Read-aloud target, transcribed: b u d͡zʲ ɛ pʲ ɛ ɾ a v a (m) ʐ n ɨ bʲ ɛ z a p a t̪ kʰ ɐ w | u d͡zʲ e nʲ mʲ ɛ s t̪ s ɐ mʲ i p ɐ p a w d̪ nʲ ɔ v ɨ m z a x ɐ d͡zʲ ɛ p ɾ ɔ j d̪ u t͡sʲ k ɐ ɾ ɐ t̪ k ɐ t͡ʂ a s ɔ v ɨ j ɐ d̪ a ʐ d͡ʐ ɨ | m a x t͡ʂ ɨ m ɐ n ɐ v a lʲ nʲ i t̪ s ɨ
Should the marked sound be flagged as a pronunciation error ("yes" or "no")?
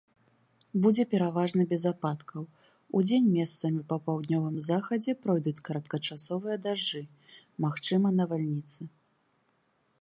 yes